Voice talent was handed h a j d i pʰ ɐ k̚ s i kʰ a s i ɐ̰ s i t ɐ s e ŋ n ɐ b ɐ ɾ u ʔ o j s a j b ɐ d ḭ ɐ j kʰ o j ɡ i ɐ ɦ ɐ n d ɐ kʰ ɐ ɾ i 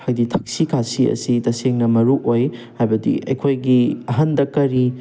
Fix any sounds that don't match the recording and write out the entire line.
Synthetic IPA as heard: h a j d i tʰ ɐ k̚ s i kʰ a s i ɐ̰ s i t ɐ s e ŋ n ɐ m ɐ ɾ u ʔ o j h a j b ɐ d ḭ ɐ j kʰ o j ɡ i ɐ ɦ ɐ n d ɐ k ɐ ɾ i